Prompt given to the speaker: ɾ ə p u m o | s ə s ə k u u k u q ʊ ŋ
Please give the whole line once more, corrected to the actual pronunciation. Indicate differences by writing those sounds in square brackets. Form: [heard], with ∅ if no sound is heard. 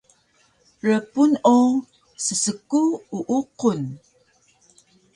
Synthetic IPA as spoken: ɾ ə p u [n] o | s ə s ə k u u [ʔ] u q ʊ [n]